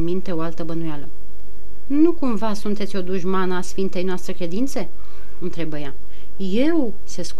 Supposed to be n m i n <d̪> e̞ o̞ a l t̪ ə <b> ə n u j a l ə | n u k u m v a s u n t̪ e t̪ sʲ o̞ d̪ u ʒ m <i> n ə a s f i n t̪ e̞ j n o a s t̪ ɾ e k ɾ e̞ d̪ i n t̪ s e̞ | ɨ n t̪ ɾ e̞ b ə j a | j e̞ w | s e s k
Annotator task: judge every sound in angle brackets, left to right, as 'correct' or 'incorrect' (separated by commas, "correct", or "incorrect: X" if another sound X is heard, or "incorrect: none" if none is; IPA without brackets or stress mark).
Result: incorrect: t̪, correct, incorrect: a